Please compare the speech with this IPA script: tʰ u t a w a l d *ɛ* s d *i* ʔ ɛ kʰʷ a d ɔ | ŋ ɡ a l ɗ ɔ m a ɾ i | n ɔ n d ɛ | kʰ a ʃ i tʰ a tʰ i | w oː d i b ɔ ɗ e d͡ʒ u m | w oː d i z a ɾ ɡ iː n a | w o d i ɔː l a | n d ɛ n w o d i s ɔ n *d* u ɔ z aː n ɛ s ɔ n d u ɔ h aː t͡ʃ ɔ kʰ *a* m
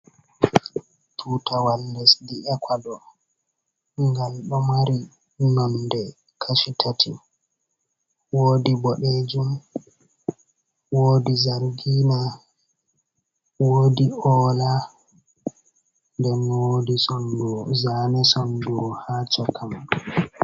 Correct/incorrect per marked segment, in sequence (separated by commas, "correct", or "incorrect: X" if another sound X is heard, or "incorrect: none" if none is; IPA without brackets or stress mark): correct, correct, correct, correct